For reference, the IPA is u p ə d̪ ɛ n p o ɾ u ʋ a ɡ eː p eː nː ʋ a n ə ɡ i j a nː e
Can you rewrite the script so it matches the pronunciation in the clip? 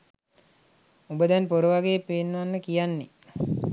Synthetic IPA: u b ə d̪ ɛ n p o ɾ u ʋ a ɡ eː p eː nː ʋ a nː ə k i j a nː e